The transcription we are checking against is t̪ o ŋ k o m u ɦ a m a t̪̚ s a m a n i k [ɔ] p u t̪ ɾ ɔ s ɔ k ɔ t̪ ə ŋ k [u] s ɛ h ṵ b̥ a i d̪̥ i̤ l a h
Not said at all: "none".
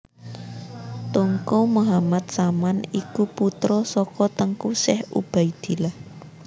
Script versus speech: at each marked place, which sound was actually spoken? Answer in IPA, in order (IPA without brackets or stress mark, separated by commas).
u, u